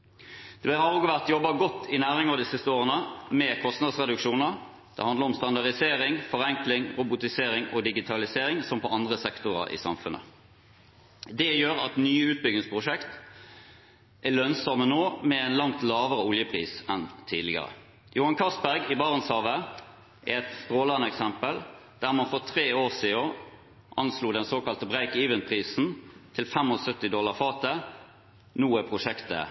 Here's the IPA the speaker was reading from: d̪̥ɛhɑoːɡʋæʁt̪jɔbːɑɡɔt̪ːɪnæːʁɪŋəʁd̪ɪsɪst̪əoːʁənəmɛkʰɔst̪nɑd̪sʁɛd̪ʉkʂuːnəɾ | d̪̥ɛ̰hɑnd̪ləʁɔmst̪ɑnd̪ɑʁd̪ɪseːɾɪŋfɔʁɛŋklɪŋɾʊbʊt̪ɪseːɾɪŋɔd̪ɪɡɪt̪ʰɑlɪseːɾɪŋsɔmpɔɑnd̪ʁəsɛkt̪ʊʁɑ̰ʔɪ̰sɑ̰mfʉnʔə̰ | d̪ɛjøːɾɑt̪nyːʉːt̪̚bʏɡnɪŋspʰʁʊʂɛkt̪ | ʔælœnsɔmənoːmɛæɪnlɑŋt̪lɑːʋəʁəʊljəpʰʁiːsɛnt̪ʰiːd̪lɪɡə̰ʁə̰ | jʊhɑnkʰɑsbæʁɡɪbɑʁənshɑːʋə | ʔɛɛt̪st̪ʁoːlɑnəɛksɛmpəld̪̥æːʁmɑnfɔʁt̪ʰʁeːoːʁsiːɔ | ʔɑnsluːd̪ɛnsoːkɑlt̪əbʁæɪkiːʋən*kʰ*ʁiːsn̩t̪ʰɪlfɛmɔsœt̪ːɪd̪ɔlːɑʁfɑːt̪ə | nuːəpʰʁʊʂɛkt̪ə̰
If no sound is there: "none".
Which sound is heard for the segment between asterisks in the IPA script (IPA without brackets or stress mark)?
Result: pʰ